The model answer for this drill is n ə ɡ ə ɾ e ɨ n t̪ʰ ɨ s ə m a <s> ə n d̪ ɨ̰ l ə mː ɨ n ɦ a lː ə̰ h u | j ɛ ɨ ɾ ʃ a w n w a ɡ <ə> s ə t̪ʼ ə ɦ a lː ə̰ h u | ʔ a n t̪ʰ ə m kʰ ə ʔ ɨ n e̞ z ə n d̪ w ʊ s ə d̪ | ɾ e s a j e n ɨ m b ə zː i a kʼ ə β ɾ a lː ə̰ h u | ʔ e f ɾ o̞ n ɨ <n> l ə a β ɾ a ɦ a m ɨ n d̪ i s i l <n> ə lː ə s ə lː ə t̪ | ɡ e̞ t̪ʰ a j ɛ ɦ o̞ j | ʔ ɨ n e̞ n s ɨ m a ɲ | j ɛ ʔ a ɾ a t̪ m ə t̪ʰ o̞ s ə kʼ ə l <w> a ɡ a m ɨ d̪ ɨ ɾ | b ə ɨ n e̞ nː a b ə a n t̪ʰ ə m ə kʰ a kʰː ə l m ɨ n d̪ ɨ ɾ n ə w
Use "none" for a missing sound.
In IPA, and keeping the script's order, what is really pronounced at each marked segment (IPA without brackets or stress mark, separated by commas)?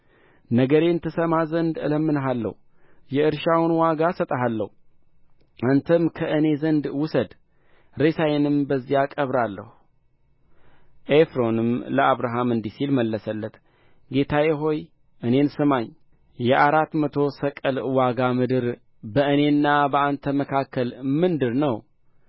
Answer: z, a, m, m, w